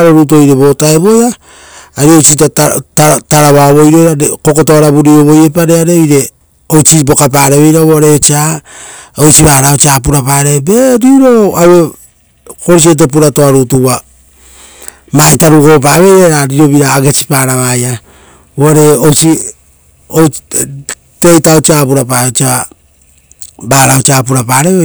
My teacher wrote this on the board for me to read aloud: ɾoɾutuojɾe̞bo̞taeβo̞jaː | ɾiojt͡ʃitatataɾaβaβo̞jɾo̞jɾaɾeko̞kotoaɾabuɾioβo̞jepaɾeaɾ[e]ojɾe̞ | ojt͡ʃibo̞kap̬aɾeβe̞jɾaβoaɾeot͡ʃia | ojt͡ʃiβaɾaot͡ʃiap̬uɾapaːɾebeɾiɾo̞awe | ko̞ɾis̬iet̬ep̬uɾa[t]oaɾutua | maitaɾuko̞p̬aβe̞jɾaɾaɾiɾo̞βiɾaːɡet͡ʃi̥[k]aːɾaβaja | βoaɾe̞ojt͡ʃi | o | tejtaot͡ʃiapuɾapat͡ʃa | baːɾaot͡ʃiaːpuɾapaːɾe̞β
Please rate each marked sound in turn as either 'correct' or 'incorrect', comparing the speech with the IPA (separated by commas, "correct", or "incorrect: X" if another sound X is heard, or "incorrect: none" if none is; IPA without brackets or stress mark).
correct, correct, incorrect: p